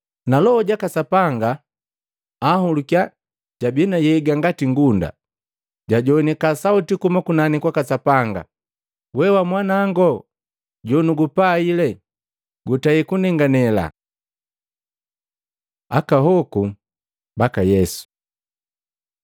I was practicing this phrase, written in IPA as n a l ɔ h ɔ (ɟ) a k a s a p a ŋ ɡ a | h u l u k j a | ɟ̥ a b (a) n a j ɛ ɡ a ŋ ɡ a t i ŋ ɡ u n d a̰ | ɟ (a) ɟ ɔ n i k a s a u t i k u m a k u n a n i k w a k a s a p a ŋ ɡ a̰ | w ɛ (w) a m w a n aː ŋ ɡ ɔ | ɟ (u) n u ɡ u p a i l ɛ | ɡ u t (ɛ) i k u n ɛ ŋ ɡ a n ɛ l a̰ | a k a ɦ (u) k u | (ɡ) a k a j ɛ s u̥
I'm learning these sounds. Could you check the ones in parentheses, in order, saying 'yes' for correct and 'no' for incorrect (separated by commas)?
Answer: yes, no, yes, yes, no, no, no, no